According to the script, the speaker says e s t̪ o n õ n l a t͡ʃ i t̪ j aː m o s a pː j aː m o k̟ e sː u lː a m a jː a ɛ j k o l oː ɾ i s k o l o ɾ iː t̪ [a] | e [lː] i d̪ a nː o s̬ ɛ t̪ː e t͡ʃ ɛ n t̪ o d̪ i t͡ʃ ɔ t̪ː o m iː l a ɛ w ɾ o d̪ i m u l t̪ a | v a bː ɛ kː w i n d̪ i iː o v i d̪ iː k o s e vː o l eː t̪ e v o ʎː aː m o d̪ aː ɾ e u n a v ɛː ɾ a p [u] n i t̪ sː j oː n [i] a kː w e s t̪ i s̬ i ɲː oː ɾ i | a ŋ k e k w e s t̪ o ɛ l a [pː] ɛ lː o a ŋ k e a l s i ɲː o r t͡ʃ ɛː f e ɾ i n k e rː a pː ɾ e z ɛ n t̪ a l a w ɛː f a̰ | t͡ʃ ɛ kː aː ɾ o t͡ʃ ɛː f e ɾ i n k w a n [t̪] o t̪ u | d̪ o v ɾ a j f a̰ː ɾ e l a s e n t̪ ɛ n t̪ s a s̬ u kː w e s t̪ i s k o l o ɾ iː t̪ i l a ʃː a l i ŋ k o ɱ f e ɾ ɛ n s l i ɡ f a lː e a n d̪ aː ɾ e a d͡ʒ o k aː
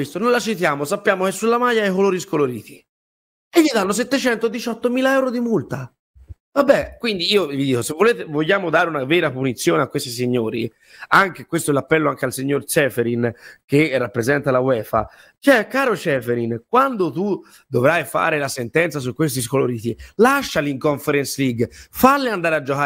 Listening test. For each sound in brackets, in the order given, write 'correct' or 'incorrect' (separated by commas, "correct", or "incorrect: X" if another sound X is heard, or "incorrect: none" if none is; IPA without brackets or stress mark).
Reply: incorrect: i, incorrect: ʎː, correct, incorrect: e, correct, incorrect: d̪